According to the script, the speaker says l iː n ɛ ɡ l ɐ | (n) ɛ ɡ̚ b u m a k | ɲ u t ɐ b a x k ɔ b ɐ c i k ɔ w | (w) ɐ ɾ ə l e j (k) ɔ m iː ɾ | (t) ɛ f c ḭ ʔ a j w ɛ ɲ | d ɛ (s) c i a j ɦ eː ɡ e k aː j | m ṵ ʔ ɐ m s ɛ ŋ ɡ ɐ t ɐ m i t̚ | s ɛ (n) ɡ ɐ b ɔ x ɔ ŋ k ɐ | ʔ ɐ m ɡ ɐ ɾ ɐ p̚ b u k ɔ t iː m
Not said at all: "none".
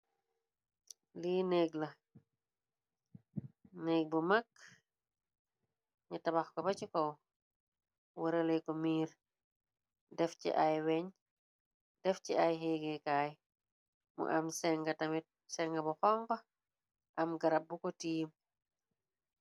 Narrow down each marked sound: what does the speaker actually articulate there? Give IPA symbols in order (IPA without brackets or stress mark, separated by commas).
n, w, k, d, f, ŋ